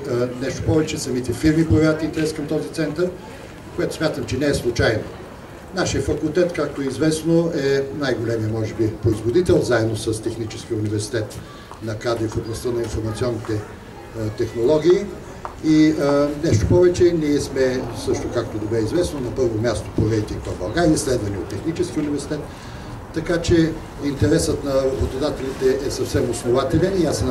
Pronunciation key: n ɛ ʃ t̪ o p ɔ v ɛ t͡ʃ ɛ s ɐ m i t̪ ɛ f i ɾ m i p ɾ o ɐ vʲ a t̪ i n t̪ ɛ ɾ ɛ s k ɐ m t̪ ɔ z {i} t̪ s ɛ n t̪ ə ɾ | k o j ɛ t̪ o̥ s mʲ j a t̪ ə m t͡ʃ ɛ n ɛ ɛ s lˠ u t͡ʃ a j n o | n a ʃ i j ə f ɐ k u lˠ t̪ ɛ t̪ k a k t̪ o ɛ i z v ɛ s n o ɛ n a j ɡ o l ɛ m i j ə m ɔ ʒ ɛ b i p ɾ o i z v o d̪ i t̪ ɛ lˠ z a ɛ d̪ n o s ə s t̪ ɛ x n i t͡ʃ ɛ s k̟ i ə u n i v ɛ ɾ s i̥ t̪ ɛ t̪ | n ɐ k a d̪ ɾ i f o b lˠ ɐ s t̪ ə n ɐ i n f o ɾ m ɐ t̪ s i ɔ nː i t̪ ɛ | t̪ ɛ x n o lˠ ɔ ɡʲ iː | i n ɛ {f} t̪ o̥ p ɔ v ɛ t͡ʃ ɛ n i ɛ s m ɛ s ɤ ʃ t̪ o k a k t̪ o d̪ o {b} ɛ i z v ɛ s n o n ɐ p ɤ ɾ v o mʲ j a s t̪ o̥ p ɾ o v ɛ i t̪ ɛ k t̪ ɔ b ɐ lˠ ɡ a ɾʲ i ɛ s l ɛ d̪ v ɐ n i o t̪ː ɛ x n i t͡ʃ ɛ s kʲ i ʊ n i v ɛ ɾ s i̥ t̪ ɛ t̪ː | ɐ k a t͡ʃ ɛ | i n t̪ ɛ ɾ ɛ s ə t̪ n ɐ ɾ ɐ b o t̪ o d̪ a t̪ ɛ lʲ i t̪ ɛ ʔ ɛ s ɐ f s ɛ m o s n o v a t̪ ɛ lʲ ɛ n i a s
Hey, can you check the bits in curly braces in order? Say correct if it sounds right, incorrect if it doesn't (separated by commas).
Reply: correct, incorrect, correct